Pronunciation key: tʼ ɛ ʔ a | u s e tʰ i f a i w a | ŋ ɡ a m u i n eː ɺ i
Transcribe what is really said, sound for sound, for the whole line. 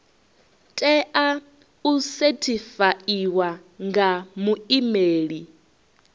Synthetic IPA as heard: tʼ ɛ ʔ a | u s e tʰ i f a i w a | ŋ ɡ a m u i m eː ɺ i